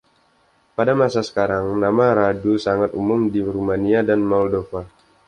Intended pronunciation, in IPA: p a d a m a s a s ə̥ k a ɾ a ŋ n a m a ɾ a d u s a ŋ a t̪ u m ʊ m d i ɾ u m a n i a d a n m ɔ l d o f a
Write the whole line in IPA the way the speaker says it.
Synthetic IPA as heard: p a d a m a s a s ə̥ k a ɾ a ŋ n a m a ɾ a d u s a ŋ a t̪ u m ʊ m d i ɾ u m a n i a d a n m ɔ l d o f a